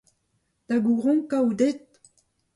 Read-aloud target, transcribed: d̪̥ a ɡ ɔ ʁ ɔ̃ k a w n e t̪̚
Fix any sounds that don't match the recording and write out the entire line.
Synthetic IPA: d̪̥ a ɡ u ʁ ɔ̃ k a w d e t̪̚